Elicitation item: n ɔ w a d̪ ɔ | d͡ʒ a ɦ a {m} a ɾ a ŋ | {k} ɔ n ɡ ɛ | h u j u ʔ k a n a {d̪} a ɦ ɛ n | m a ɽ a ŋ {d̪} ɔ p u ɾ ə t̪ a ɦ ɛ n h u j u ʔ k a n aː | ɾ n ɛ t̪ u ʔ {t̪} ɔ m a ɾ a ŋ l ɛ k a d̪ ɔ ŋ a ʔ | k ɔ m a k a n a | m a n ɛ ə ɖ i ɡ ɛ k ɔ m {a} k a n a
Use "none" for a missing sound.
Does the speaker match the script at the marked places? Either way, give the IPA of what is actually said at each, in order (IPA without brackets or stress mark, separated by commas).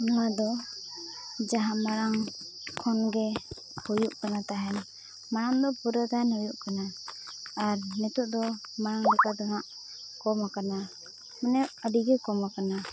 m, kʰ, t̪, d̪, d̪, a